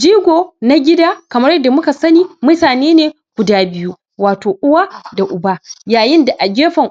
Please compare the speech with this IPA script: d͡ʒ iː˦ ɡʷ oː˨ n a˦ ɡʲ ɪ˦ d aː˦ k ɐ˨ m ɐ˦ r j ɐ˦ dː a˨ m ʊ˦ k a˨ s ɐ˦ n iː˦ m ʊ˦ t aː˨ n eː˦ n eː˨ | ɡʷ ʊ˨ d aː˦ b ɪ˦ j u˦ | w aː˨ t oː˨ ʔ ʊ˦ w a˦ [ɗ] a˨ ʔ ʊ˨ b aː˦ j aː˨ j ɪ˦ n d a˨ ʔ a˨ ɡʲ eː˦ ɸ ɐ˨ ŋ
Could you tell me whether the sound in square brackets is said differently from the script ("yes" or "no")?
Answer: yes